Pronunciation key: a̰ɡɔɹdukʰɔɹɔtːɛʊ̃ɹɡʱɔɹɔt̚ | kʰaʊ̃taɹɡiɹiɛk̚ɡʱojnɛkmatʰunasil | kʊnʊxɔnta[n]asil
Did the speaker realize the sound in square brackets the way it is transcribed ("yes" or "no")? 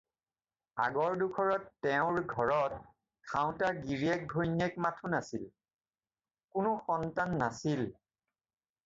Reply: no